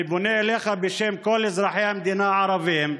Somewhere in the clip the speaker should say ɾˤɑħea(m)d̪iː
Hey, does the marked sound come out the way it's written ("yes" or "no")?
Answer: yes